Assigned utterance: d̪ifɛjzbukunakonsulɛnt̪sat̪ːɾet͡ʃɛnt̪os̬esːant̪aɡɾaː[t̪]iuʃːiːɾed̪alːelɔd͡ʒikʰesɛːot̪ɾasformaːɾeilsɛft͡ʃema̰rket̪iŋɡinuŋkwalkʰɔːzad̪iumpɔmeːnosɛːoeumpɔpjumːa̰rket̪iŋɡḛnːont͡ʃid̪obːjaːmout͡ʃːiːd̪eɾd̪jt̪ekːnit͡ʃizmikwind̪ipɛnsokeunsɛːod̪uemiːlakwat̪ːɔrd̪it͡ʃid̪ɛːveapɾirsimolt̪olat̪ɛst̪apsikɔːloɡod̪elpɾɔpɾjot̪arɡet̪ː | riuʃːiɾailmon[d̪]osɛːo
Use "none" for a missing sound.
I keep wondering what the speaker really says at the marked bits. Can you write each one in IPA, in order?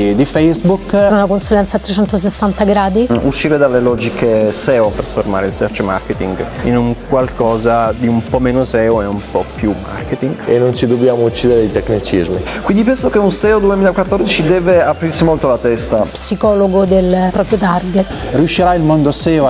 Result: d̪, d̪

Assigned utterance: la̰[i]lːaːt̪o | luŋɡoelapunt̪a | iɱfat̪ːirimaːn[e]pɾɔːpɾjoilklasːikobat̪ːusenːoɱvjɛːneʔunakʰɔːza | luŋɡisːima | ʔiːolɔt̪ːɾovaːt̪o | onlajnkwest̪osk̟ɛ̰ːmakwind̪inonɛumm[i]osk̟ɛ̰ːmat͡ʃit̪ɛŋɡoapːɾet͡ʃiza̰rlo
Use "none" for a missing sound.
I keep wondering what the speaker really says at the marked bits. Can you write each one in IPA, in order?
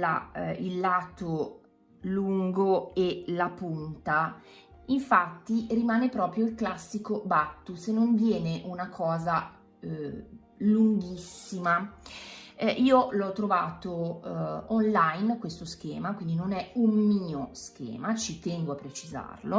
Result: i, e, iː

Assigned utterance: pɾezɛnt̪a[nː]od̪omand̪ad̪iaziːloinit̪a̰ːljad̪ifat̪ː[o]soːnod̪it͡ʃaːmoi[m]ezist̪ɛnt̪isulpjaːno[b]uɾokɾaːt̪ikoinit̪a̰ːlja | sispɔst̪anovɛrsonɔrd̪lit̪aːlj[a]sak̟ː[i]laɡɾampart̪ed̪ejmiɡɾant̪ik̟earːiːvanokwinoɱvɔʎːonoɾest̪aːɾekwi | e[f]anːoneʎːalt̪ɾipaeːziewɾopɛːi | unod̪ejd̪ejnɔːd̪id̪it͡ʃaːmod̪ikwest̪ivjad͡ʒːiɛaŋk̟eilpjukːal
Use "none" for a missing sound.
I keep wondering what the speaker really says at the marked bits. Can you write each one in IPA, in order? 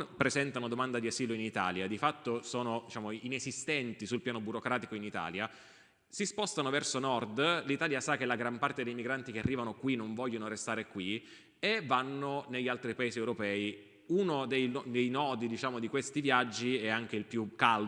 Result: n, o, n, b, a, e, v

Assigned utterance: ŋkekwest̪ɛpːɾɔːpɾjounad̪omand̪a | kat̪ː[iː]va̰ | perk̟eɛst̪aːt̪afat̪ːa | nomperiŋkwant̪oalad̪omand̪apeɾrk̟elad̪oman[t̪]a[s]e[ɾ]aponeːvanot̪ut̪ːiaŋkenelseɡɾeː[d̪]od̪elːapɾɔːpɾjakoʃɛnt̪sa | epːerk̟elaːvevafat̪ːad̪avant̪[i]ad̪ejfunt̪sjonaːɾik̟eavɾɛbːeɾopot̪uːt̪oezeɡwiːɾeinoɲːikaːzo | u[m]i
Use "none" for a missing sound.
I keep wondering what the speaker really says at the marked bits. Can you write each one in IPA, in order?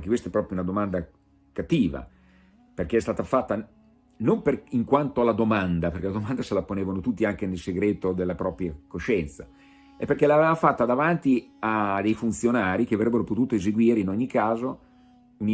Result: iː, d̪, s, l, t̪, i, n

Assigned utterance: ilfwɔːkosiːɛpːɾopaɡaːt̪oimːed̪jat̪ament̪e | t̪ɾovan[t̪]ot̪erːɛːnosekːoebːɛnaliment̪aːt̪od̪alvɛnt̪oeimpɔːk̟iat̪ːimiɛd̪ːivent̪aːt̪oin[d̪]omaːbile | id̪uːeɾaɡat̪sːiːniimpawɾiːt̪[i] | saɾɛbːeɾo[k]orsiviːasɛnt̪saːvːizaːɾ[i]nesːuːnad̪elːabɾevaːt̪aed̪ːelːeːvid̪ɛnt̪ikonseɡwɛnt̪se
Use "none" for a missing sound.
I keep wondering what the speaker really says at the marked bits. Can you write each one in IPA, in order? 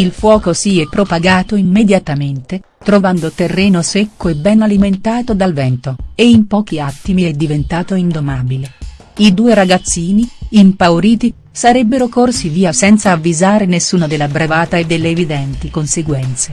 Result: d̪, d̪, i, k, e

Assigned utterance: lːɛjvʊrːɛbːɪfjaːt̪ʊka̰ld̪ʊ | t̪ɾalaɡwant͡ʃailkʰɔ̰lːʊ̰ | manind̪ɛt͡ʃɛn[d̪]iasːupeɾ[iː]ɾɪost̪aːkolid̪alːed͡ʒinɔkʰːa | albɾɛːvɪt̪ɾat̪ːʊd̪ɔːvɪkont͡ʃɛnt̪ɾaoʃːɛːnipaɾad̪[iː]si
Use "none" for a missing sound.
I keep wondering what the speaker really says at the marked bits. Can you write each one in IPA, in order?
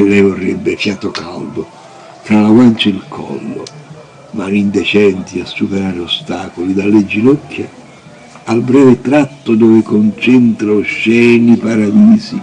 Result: t̪, aː, iː

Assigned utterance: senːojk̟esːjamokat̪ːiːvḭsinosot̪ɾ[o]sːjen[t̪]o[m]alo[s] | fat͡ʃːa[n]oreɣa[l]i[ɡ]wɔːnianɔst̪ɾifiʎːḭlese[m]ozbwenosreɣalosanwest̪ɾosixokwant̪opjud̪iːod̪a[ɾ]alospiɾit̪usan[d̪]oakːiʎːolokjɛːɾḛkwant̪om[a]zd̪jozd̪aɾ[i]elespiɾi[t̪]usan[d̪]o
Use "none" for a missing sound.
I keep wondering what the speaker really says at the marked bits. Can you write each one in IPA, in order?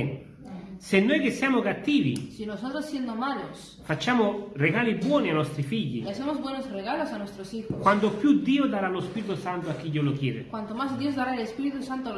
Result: o, d̪, m, s, m, l, b, m, ɾ, t̪, a, a, t̪, t̪

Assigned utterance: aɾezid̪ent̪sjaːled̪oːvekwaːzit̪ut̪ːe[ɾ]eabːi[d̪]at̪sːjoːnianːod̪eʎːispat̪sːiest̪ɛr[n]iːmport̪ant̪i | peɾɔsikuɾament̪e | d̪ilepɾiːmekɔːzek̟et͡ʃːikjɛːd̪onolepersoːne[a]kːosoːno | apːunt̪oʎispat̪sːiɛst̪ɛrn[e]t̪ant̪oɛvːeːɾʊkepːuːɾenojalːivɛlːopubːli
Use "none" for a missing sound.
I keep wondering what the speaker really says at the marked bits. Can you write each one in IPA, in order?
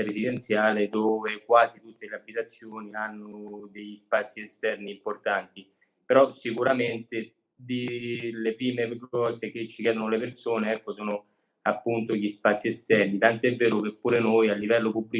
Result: l, t̪, n, ɛ, i

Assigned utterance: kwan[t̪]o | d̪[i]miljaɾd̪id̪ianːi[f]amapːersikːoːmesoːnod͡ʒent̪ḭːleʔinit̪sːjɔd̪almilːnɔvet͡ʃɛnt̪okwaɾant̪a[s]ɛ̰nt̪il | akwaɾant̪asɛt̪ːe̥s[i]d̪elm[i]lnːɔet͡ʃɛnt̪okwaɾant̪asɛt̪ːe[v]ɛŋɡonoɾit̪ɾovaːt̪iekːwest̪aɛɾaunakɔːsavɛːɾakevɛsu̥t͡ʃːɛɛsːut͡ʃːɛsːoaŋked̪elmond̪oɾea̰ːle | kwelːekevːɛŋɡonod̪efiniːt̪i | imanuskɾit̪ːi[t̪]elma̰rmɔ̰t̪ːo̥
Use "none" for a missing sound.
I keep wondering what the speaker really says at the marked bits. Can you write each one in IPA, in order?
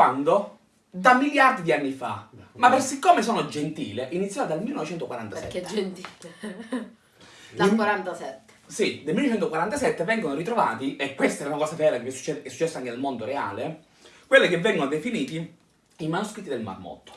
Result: d̪, a, f, s, i, i, v, d̪

